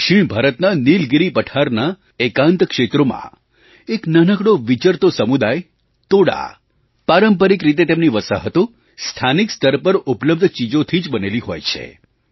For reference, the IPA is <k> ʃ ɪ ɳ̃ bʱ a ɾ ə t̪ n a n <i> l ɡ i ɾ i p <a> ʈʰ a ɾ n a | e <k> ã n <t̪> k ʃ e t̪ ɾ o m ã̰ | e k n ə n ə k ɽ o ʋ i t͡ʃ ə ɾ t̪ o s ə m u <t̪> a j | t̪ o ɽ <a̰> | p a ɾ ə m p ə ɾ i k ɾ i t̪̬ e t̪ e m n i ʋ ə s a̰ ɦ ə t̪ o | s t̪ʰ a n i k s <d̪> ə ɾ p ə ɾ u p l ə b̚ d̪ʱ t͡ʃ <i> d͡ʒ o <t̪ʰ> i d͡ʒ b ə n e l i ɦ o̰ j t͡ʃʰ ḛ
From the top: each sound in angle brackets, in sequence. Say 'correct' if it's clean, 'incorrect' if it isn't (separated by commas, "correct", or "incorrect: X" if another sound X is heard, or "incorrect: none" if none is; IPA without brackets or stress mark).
correct, correct, incorrect: ə, correct, correct, incorrect: d̪, correct, incorrect: t̪, correct, correct